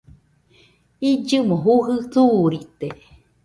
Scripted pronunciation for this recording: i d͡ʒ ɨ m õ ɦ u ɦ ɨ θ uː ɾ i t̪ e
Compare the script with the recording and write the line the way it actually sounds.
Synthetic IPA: i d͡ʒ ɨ m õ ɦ u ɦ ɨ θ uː ɾ i t̪ e